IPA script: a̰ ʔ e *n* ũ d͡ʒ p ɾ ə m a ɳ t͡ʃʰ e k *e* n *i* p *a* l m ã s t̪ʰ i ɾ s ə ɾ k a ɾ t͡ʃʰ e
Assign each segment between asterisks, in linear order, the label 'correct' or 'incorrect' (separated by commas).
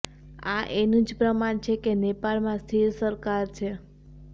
correct, correct, incorrect, correct